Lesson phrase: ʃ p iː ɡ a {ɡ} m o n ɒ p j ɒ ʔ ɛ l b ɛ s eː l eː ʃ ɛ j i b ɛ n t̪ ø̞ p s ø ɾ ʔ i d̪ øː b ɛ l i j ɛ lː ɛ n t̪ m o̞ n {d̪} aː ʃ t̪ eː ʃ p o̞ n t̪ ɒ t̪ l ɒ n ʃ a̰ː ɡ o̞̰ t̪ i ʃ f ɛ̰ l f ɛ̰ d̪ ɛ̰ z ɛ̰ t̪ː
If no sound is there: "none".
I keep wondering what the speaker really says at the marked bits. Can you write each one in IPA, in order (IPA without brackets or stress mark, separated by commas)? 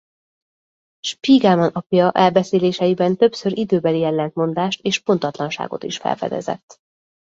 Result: none, d̪